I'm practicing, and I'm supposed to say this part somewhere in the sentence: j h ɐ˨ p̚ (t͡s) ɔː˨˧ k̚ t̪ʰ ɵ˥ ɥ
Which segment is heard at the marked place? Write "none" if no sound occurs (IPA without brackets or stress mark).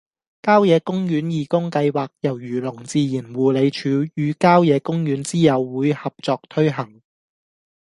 t͡s